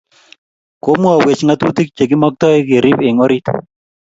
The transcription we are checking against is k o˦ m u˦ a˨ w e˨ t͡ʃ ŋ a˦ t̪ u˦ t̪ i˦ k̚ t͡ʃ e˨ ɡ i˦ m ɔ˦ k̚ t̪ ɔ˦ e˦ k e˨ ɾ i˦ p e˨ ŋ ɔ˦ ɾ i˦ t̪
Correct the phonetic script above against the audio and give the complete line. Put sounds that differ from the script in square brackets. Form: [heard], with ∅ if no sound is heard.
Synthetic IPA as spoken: k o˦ m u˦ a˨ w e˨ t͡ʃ ŋ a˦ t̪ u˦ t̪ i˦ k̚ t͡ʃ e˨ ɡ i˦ m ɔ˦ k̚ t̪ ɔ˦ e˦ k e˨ ɾ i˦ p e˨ ŋ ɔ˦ ɾ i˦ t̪